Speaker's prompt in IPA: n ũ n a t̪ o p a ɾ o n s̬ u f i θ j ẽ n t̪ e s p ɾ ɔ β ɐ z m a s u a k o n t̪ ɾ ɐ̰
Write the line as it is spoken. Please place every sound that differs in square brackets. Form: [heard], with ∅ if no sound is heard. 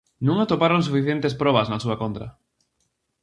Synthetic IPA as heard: n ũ [ŋ] a t̪ o p a ɾ o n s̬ u f i θ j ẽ n t̪ e s p ɾ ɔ β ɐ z [n] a s u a k o n t̪ ɾ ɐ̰